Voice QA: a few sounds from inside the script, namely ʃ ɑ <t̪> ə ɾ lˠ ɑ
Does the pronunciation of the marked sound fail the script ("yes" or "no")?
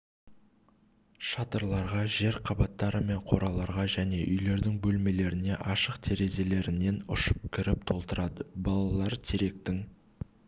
no